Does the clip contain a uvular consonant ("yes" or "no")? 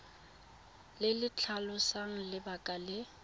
no